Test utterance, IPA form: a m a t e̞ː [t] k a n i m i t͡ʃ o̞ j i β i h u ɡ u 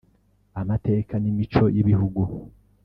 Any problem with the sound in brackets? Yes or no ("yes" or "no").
yes